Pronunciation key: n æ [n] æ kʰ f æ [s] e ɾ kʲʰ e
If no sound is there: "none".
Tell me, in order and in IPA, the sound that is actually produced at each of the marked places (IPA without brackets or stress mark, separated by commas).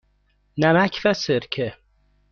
m, s